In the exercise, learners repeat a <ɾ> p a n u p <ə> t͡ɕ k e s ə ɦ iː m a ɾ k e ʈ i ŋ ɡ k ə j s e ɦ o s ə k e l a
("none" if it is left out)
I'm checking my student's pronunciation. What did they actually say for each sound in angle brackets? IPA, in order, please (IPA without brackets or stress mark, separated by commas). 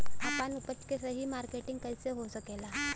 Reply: none, ə